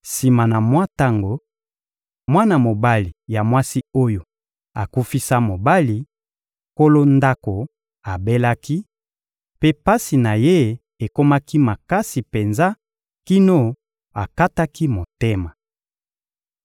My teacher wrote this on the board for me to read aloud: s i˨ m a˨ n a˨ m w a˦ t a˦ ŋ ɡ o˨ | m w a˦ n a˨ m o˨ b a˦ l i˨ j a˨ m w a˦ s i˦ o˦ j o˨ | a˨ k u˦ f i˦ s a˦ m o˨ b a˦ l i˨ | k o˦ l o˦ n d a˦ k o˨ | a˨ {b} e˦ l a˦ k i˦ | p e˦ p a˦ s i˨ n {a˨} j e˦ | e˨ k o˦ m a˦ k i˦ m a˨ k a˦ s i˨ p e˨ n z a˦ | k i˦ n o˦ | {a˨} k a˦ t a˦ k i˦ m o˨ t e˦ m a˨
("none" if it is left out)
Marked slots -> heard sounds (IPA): b, a˨, a˨

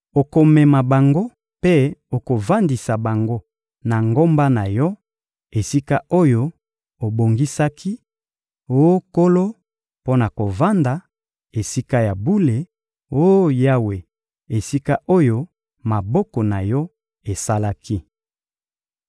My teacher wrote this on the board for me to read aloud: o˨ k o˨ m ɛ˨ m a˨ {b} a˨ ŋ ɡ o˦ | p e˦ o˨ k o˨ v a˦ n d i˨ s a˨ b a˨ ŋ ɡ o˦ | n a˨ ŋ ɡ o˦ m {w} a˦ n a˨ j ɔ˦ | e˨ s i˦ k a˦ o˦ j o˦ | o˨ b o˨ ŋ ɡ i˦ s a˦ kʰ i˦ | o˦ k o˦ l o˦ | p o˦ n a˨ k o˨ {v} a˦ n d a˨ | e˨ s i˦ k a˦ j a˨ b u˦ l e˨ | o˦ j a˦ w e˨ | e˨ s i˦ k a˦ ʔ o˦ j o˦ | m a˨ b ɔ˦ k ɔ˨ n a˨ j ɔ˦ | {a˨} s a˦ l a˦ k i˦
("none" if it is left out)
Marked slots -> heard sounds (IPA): b, b, v, e˨

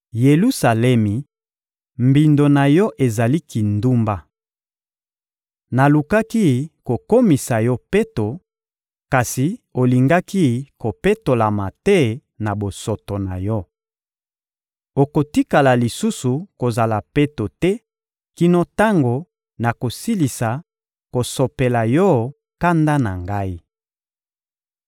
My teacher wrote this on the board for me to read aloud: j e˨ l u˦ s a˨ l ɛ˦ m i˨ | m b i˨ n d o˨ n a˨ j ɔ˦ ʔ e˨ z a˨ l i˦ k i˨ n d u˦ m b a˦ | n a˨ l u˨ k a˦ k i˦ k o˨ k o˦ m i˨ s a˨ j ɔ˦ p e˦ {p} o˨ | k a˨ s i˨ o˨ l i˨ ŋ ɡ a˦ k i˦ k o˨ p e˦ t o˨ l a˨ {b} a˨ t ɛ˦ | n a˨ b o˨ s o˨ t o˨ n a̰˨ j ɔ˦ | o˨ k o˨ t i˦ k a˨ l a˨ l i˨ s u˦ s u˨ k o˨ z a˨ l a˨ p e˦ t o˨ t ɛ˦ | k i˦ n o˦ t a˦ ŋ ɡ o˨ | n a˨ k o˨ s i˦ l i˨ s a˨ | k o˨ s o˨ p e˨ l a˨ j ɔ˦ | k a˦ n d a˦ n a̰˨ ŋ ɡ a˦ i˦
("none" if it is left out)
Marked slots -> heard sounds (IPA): t, m

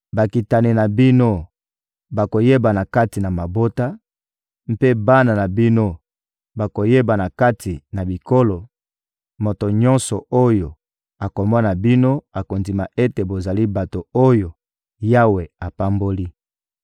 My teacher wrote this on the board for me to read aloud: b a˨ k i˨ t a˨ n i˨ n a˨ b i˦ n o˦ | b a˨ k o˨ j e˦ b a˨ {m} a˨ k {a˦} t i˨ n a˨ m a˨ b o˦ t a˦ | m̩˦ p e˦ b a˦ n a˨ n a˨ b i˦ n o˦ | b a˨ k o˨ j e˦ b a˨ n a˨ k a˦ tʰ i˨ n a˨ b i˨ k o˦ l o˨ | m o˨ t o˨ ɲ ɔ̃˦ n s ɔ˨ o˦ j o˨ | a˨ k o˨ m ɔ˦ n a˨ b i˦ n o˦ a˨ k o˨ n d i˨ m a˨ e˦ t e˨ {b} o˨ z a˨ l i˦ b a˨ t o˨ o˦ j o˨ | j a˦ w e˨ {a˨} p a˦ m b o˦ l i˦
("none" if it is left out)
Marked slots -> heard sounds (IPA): n, a˦, b, a˨

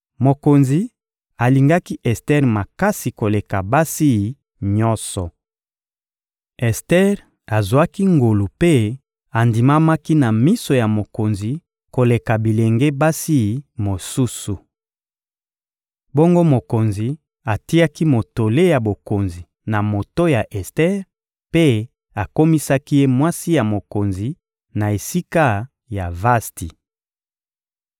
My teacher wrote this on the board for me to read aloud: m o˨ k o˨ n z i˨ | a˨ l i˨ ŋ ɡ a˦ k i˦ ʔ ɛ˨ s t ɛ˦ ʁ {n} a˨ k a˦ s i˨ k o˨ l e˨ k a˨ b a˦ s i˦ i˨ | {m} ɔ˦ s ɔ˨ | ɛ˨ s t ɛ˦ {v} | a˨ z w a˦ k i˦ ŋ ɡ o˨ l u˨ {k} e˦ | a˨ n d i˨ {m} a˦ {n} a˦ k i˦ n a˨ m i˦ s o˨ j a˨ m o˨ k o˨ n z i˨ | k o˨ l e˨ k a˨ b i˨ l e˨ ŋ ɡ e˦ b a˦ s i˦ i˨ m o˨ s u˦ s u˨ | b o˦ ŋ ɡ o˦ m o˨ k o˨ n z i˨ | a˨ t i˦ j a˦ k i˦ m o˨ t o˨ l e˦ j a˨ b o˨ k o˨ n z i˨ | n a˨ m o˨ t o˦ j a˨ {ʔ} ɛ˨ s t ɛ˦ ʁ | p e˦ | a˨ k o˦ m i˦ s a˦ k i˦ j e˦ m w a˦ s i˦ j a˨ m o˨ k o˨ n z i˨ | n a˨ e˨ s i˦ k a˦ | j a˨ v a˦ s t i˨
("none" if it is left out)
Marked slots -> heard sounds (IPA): m, ɲ, ʁ, p, m, m, ʔ

